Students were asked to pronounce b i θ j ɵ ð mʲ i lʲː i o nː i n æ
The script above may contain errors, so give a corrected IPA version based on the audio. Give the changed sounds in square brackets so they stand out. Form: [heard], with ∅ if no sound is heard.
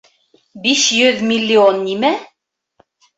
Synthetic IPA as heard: b i [ʃ] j ɵ ð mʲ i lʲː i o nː i [m] æ